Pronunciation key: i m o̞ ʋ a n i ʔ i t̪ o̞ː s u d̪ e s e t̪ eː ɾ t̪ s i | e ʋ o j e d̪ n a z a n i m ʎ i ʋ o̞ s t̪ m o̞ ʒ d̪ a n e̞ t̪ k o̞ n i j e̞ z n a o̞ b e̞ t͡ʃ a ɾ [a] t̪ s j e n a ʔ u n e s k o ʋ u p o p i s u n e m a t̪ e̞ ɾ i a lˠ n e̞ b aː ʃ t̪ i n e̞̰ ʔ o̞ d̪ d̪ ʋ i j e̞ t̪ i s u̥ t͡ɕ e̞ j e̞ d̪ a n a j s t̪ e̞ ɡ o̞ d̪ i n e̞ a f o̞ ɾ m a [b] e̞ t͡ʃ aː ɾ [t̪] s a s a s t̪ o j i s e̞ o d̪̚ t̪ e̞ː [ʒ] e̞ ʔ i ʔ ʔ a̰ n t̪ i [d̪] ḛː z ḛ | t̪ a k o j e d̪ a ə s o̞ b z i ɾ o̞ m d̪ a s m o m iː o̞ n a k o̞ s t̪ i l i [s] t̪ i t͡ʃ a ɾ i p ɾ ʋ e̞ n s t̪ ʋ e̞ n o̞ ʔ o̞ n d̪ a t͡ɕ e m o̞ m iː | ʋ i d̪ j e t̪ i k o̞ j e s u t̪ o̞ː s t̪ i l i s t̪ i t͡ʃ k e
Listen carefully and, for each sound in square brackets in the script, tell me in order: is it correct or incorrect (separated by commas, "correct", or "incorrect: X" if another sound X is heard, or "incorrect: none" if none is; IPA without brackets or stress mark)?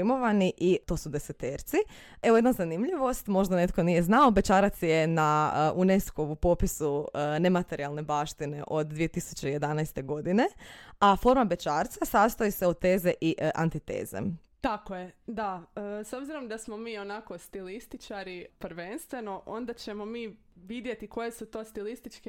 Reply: correct, correct, correct, incorrect: z, incorrect: t̪, correct